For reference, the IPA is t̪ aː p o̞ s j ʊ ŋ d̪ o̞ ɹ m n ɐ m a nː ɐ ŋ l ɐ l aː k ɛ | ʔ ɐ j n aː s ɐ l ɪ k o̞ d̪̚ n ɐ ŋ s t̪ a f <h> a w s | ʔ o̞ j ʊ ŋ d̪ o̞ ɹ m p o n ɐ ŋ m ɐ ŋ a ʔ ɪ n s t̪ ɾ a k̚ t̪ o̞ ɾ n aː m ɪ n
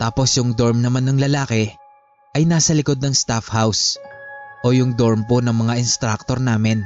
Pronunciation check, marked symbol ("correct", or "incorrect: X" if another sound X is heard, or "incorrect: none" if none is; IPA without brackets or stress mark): correct